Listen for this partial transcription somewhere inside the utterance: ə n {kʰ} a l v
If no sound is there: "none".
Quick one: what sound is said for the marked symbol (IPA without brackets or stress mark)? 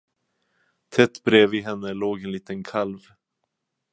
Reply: kʰ